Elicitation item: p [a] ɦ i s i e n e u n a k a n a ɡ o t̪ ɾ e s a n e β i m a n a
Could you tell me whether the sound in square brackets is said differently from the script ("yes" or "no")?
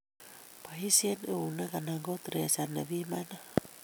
no